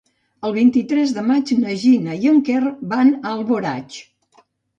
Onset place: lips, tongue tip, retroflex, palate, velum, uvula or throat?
tongue tip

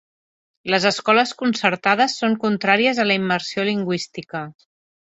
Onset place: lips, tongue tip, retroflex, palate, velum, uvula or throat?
tongue tip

